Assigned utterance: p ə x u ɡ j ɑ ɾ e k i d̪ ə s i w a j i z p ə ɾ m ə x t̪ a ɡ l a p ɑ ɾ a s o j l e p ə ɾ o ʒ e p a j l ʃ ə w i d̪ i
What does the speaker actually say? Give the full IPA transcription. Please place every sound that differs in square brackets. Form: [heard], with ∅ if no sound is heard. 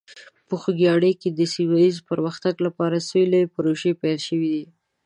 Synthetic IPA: p ə x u ɡ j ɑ [ɽ] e k [e] d̪ ə s i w a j i z p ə ɾ m ə x t̪ a ɡ l a p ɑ ɾ a s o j l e p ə ɾ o ʒ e p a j l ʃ ə w i d̪ i